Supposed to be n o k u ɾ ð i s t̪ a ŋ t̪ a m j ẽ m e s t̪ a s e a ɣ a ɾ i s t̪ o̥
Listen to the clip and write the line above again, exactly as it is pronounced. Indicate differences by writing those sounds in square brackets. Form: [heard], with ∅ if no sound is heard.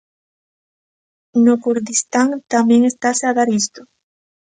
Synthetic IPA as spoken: n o k u ɾ ð i s t̪ a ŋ t̪ a m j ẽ [ŋ] e s t̪ a s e a [ð] a ɾ i s t̪ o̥

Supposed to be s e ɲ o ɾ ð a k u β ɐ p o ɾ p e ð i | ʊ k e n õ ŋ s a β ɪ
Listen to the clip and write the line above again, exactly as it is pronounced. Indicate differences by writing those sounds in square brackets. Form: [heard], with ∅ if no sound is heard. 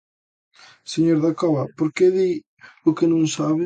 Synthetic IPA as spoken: s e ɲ o ɾ ð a k [ɔ] β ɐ p o ɾ [k] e ð i | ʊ k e n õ ŋ s a β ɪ

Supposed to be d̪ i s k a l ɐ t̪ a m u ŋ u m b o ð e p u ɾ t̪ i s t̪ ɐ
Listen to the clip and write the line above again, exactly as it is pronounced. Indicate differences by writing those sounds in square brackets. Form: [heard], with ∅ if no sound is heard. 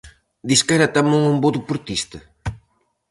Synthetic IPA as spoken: d̪ i s k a [ɾ] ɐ t̪ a m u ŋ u m b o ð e p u ɾ t̪ i s t̪ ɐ

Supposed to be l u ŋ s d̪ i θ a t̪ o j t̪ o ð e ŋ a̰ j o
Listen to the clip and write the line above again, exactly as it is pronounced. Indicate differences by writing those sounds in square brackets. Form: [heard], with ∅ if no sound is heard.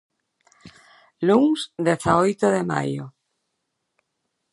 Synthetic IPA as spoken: l u ŋ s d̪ [e] θ a [∅] o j t̪ o ð e [m] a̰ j o

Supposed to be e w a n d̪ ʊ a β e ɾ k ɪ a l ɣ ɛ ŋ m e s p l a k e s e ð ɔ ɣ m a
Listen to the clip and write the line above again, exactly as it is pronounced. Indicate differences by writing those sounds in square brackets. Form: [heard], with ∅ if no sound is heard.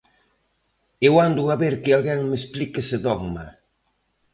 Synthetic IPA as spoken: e w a n d̪ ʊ a β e ɾ k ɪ a l ɣ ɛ ŋ m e s p l [i] k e s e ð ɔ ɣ m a

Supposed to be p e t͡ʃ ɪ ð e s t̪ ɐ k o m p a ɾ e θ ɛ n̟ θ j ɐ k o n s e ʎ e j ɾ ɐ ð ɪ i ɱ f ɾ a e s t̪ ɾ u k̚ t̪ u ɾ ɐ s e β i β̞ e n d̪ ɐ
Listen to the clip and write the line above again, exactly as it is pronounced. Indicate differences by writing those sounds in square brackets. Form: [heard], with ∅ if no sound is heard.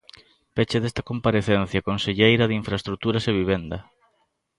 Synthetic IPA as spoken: p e t͡ʃ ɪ ð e s t̪ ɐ k o m p a ɾ e θ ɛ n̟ θ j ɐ k o n s e ʎ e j ɾ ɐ ð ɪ i ɱ f ɾ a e s t̪ ɾ u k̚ t̪ u ɾ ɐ s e β i β̞ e n d̪ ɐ

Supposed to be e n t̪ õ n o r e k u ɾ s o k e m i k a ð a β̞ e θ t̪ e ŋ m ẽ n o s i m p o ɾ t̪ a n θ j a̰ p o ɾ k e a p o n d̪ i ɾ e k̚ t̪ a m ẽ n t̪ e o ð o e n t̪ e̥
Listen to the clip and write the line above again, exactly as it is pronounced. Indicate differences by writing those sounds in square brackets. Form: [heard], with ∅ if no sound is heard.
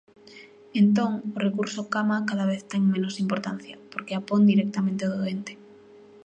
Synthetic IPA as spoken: e n t̪ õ [ŋ] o r e k u ɾ s o k [a] m [a] k a ð a β̞ e θ t̪ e ŋ m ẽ n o s i m p o ɾ t̪ a n θ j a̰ p o ɾ k e a p o n d̪ i ɾ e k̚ t̪ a m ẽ n t̪ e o ð o e n t̪ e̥

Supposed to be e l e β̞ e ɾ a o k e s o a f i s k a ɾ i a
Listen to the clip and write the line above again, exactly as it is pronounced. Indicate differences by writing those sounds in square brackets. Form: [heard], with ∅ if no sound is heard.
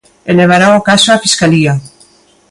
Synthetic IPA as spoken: e l e β̞ [a] ɾ a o k [a] s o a f i s k a [l] i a

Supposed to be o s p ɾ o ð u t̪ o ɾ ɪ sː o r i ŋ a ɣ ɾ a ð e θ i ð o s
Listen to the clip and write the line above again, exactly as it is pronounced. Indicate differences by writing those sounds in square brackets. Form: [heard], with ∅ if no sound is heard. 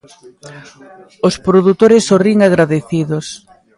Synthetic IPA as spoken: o s p ɾ o ð u t̪ o ɾ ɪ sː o r i ŋ a ɣ ɾ a ð e θ i ð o s

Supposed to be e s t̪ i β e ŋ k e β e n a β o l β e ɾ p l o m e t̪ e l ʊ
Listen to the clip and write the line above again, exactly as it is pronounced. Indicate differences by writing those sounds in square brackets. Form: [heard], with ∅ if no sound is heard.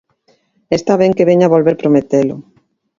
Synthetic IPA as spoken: e s t̪ [a] β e ŋ k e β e [ɲ] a β o l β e ɾ p [ɾ] o m e t̪ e l ʊ

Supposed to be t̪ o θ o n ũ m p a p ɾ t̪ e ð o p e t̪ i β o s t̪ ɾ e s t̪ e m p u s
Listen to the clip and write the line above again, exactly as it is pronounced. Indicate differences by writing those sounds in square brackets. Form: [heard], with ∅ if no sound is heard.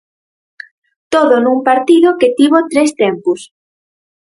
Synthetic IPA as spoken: t̪ o [ð] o n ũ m p a [∅] ɾ t̪ [i] ð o [k] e t̪ i β o [∅] t̪ ɾ e s t̪ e m p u s

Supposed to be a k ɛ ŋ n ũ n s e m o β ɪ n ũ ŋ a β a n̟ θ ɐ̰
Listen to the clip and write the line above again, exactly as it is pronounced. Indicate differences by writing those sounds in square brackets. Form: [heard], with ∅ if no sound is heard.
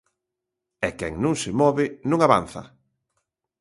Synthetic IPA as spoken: [ɛ] k ɛ ŋ n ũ [ŋ] s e m [ɔ] β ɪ n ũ ŋ a β a n̟ θ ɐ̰

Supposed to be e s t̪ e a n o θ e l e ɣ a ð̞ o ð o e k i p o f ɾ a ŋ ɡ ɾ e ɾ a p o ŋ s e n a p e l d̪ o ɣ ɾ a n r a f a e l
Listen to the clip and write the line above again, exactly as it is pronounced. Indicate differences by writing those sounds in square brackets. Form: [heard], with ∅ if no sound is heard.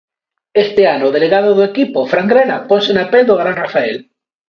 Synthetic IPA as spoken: e s t̪ e a n o [ð] e l e ɣ a ð̞ o ð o e k i p o f ɾ a ŋ ɡ ɾ e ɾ a p o [n] s e n a p e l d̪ o ɣ ɾ a n r a f a e l

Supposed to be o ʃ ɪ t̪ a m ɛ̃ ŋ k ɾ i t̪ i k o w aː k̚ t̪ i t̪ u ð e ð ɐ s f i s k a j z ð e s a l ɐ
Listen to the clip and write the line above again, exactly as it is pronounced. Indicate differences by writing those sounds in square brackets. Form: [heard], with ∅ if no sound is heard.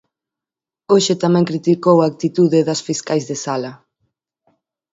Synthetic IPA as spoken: o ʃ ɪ t̪ a m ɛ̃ ŋ k ɾ i t̪ i k o w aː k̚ t̪ i t̪ u ð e ð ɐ s f i s k a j z ð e s a l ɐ

